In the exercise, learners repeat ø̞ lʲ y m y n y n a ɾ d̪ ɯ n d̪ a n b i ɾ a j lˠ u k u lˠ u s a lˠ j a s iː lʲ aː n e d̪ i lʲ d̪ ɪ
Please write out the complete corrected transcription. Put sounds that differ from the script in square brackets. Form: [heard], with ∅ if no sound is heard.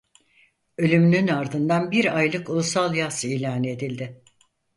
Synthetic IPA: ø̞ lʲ y m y n y n a ɾ d̪ ɯ n d̪ a n b i ɾ a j lˠ [ɯ] k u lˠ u s a lˠ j a s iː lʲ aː n e d̪ i lʲ d̪ ɪ